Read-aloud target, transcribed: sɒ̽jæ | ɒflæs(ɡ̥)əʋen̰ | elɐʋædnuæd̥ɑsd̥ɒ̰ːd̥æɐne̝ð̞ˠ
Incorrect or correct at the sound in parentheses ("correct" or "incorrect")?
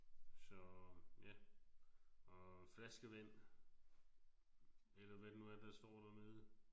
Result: correct